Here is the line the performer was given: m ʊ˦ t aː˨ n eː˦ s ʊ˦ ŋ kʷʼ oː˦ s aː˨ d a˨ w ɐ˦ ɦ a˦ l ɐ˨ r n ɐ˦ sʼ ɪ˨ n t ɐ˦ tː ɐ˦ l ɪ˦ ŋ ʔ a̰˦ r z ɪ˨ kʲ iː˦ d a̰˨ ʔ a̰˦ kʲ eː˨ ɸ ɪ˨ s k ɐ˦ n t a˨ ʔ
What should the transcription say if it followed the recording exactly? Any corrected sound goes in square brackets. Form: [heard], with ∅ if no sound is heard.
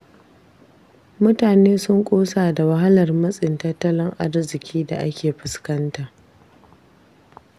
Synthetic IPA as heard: m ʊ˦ t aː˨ n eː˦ s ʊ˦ ŋ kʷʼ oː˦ s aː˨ d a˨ w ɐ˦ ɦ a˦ l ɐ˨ r [m] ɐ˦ sʼ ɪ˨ n t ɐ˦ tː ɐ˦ l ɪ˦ ŋ ʔ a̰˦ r z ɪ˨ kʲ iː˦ d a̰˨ ʔ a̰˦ kʲ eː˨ ɸ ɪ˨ s k ɐ˦ n t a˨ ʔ